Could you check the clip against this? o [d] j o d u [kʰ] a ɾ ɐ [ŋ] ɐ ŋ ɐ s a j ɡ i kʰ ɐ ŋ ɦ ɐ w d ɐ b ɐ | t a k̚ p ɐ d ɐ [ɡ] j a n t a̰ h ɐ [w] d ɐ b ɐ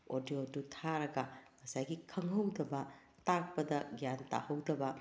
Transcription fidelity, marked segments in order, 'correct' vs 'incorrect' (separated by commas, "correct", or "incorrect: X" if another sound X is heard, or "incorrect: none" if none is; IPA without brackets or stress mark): correct, incorrect: tʰ, incorrect: ɡ, correct, correct